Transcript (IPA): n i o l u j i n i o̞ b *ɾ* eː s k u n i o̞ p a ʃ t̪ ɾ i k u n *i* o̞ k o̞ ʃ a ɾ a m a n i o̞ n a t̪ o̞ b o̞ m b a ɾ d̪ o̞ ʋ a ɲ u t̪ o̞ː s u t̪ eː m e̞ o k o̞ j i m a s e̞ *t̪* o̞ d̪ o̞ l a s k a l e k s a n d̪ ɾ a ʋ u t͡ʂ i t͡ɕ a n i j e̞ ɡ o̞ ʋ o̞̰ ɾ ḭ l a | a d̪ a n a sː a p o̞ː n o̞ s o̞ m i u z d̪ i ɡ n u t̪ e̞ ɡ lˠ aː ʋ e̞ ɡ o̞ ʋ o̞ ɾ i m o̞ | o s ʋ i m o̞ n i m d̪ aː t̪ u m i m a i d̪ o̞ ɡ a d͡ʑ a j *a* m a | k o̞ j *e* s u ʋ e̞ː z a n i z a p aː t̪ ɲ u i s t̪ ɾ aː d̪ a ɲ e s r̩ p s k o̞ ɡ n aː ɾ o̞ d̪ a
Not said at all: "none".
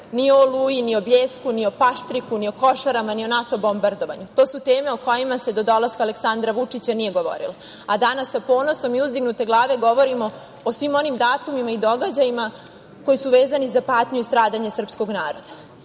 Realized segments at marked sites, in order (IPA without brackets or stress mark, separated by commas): ʎ, i, d̪, i, i